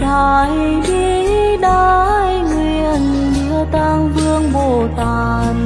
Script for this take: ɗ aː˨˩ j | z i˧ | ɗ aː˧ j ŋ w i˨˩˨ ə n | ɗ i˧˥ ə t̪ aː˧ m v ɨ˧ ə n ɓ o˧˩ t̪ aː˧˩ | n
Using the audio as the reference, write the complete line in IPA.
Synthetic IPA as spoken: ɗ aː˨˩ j | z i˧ | ɗ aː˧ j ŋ w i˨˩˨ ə n | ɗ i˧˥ ə t̪ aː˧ ŋ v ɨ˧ ə ŋ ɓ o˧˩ t̪ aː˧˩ | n

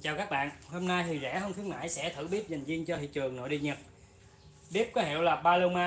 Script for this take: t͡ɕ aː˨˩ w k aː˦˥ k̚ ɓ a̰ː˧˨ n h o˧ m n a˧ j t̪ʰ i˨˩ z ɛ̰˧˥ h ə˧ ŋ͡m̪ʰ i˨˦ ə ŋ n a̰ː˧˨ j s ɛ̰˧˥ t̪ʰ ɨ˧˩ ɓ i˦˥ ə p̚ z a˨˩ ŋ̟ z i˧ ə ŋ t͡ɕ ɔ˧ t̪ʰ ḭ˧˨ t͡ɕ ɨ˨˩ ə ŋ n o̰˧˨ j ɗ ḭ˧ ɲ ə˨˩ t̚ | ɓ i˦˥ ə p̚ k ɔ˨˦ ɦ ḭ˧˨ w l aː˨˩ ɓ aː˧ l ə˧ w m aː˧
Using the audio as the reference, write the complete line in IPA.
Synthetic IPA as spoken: t͡ɕ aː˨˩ w k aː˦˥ k̚ ɓ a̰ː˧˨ n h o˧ m n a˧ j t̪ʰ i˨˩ z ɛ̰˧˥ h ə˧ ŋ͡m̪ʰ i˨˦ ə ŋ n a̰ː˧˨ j s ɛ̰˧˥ t̪ʰ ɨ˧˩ ɓ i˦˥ ə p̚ z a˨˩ ŋ̟ z i˧ ə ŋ t͡ɕ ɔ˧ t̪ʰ ḭ˧˨ t͡ɕ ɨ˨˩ ə ŋ n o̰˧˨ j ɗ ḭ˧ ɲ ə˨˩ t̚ | ɓ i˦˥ ə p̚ k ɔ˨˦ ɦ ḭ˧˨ w l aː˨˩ ɓ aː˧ l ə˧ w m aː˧

